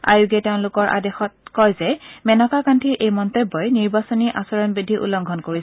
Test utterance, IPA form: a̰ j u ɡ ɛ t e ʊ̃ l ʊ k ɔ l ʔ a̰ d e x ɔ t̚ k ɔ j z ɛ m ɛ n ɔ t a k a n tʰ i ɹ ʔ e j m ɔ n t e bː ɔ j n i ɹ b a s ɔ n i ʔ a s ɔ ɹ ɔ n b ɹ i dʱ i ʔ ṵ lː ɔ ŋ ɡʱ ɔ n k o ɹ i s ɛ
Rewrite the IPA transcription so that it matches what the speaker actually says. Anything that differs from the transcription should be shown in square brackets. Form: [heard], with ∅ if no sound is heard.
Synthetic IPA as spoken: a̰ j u ɡ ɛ t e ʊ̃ l ʊ k ɔ [ɹ] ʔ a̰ d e x ɔ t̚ k ɔ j z ɛ m ɛ n ɔ [k] a k a n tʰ i ɹ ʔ e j m ɔ n t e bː ɔ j n i ɹ b a s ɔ n i ʔ a s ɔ ɹ ɔ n b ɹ i dʱ i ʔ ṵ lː ɔ ŋ ɡʱ ɔ n k o ɹ i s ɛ

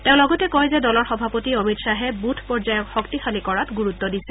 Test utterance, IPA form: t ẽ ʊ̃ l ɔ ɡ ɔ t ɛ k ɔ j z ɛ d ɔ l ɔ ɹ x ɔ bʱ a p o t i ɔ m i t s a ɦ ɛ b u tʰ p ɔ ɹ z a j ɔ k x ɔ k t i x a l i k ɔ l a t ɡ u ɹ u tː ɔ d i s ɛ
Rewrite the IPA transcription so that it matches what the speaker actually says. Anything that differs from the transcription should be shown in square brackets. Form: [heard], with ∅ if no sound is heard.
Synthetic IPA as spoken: t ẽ ʊ̃ l ɔ ɡ ɔ t ɛ k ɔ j z ɛ d ɔ l ɔ ɹ x ɔ bʱ a p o t i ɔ m i t s a ɦ ɛ b u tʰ p ɔ ɹ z a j ɔ k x ɔ k t i x a l i k ɔ [ɹ] a t ɡ u ɹ u tː ɔ d i s ɛ

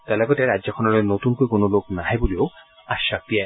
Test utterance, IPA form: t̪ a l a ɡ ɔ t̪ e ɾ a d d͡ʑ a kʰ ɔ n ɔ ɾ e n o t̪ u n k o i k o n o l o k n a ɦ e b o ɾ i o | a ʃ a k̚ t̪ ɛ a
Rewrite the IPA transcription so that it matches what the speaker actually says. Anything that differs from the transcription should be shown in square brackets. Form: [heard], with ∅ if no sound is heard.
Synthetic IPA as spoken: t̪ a l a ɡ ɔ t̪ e ɾ a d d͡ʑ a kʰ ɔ n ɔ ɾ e n o t̪ u n k o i k o n o l o k n a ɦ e b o [l] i o | a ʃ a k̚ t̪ [i] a

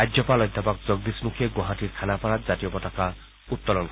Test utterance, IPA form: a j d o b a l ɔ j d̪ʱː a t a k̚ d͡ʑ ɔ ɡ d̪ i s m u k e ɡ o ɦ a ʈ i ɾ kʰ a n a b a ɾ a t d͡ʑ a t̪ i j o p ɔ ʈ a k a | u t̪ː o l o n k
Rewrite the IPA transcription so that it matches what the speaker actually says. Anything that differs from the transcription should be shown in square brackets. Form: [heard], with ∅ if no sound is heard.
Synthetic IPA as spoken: a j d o [p] a l ɔ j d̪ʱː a [p] a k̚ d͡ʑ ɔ ɡ d̪ i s m u [kʰ] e ɡ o ɦ a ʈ i ɾ kʰ a n a [p] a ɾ a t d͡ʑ a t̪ i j o p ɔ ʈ a k a | u t̪ː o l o n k

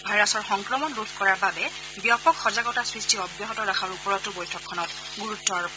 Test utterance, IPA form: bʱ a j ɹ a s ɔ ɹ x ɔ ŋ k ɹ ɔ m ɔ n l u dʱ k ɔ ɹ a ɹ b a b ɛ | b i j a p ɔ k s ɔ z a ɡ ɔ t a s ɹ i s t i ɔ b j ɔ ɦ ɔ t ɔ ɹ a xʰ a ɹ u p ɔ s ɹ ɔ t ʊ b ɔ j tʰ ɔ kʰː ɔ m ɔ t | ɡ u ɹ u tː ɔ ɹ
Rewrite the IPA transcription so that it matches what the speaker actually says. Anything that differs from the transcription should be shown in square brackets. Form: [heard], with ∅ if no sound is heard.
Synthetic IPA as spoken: bʱ a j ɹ a s ɔ ɹ x ɔ ŋ k ɹ ɔ m ɔ n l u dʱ k ɔ ɹ a ɹ b a b ɛ | b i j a p ɔ k [x] ɔ z a ɡ ɔ t a s ɹ i s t i ɔ b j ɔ ɦ ɔ t ɔ ɹ a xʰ a ɹ u p ɔ [∅] ɹ ɔ t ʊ b ɔ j tʰ ɔ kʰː ɔ [n] ɔ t | ɡ u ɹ u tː ɔ ɹ

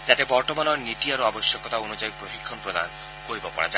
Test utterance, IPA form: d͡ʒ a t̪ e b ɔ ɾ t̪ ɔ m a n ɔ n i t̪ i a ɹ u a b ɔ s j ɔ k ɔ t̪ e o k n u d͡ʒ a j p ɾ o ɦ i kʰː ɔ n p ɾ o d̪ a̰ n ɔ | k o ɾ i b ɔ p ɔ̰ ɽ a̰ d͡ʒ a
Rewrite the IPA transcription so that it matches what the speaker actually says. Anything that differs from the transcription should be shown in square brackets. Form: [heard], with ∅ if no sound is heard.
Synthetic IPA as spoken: d͡ʒ a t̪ e b ɔ ɾ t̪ ɔ m a n ɔ n i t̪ i a [ɾ] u a b ɔ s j ɔ k ɔ t̪ [a] o [∅] n u d͡ʒ a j p ɾ o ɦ i kʰː ɔ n p ɾ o d̪ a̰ n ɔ | k o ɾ i b ɔ p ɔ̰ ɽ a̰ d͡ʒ a

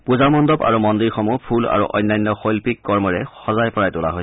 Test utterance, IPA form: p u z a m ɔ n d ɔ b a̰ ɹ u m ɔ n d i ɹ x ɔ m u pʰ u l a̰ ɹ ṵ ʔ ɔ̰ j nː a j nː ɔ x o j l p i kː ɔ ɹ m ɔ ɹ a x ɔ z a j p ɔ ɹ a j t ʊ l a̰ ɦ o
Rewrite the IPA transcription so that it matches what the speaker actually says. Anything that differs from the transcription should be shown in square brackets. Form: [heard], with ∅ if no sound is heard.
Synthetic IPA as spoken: p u z a m ɔ n d ɔ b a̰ ɹ u m ɔ n d i ɹ x ɔ m u pʰ u l a̰ ɹ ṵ ʔ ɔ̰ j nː a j nː ɔ x o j l p i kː ɔ ɹ m ɔ ɹ [ɛ] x ɔ z a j p ɔ ɹ a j t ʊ l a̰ ɦ o

